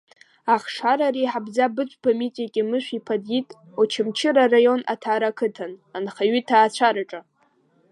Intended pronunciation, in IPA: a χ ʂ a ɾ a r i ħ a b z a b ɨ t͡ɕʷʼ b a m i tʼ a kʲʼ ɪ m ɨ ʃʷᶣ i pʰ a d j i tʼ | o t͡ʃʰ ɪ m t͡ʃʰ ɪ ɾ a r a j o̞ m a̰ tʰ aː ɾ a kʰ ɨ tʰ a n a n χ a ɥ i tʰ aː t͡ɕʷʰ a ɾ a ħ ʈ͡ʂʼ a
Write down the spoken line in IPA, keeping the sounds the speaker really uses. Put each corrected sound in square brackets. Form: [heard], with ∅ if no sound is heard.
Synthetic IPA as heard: a χ ʂ a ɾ a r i ħ a b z a b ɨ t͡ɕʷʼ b a m i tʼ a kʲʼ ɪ m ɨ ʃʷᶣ i pʰ a d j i tʼ | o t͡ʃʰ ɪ m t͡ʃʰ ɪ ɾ a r a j o̞ [n] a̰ tʰ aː ɾ a kʰ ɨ tʰ a n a n χ a ɥ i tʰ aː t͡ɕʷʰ a ɾ a [∅] ʈ͡ʂʼ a